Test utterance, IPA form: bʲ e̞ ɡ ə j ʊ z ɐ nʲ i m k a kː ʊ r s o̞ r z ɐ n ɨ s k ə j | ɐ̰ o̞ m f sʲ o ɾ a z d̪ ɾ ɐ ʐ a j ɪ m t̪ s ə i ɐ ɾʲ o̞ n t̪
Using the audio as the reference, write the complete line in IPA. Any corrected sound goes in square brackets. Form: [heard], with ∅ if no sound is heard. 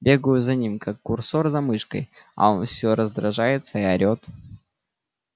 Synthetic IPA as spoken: bʲ e̞ ɡ ə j ʊ z ɐ nʲ i m k a kː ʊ r s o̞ r z ɐ [m] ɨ [ʂ] k ə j | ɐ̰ o̞ [n] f sʲ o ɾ [ə] z d̪ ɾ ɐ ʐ a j ɪ [∅] t̪ s ə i ɐ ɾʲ o̞ [∅] t̪